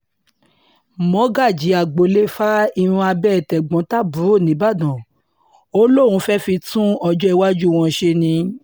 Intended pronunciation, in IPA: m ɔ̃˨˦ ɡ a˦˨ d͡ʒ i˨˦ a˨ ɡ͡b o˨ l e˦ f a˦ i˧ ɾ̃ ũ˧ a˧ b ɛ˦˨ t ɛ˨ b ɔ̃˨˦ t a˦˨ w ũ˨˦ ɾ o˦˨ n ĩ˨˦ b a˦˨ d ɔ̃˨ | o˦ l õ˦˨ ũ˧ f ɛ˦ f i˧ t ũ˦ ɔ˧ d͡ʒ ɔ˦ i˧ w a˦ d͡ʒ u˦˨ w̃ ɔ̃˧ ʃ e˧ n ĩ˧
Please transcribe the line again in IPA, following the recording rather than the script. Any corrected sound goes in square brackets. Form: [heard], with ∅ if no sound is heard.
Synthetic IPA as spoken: m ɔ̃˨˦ ɡ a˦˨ d͡ʒ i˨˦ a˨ ɡ͡b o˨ l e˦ f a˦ i˧ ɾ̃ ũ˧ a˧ b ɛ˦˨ t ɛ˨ [ɡ͡b] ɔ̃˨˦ t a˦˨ [b] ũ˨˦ ɾ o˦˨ n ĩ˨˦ b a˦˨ d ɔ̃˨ | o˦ l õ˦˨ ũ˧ f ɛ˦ f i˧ t ũ˦ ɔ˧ d͡ʒ ɔ˦ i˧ w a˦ d͡ʒ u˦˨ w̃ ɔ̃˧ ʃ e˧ n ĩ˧